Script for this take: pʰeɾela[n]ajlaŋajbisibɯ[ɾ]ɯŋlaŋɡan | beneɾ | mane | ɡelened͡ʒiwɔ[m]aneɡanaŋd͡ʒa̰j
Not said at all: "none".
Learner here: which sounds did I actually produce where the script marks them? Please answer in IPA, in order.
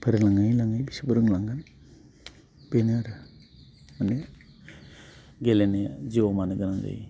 ŋ, ɾ, m

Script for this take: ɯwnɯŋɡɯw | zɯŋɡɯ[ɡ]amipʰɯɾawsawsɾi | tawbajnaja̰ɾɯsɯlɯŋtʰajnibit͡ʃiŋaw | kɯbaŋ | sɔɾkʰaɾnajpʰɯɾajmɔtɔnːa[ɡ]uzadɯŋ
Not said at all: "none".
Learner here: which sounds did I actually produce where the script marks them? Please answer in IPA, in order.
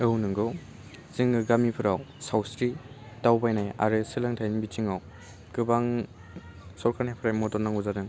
ɡ, ŋ

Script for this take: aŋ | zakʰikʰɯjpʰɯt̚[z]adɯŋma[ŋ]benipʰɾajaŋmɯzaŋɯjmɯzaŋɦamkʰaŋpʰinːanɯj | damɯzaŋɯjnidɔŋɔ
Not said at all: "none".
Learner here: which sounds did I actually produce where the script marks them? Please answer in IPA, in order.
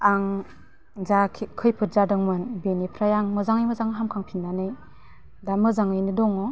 z, n

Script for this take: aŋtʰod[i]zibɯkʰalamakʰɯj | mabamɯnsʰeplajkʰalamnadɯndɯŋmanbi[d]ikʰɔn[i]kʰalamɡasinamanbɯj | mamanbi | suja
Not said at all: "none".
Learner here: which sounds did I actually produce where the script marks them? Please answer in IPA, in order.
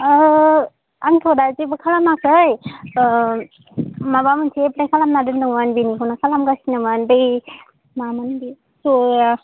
a, n, a

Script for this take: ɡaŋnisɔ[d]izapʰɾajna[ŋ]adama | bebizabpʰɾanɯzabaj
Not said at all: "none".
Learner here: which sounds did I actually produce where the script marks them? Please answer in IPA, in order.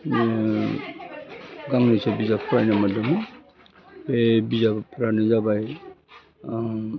b, m

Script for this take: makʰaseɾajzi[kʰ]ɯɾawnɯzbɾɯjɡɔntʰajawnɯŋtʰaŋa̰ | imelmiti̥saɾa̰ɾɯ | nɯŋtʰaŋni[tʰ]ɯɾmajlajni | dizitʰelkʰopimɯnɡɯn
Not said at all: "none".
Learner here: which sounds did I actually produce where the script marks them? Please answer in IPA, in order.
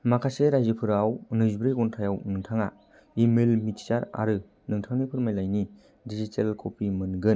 pʰ, pʰ

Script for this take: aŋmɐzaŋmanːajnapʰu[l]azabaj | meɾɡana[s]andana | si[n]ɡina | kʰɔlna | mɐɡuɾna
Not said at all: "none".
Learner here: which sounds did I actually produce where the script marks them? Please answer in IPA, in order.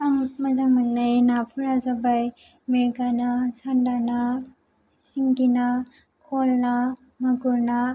ɾ, s, ŋ

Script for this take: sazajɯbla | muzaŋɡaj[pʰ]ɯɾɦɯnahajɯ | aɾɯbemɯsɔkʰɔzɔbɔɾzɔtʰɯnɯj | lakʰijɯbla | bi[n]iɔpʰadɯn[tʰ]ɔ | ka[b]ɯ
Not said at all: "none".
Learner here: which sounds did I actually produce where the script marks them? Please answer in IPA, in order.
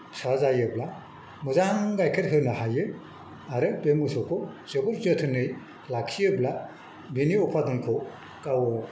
kʰ, n, kʰ, w

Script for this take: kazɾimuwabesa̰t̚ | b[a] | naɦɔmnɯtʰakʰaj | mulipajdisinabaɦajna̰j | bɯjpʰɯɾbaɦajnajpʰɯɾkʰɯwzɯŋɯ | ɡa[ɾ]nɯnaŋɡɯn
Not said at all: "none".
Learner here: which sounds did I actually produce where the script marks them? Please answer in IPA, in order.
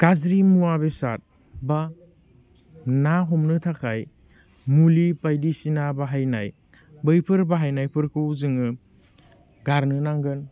a, ɾ

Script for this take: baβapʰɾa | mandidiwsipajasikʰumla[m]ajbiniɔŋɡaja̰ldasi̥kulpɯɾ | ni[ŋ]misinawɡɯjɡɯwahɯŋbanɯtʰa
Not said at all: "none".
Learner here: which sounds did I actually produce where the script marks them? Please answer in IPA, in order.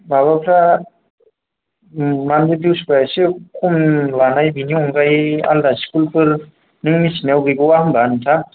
n, ŋ

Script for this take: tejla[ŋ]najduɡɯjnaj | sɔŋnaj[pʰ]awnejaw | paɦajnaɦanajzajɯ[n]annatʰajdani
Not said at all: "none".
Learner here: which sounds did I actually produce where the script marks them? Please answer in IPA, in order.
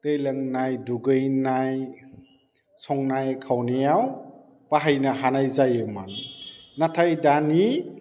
ŋ, kʰ, m

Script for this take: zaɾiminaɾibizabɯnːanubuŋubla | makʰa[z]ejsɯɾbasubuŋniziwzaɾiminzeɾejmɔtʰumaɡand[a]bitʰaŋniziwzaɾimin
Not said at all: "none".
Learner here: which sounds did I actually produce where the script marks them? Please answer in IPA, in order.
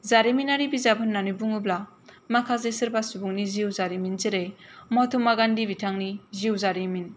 z, i

